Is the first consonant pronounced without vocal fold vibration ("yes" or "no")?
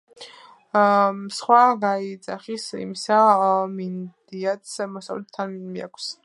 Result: yes